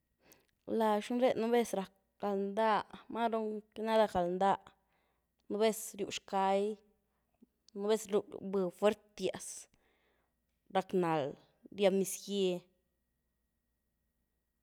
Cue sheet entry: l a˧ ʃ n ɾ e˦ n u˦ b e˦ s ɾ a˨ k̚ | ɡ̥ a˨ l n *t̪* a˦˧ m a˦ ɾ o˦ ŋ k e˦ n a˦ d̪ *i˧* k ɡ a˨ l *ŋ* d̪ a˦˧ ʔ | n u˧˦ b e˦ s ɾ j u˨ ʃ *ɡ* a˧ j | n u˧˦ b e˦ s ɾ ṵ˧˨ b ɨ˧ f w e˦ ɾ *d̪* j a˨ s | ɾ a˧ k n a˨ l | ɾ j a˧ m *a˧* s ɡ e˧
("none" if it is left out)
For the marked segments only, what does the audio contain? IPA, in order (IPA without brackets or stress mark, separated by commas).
d̪, a˧, n, k, t̪, i˧